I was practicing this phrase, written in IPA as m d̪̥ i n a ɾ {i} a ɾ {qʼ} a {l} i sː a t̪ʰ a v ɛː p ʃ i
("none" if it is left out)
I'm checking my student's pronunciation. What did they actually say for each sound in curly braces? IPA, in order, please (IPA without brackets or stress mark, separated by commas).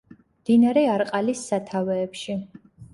ɛ, qʼ, l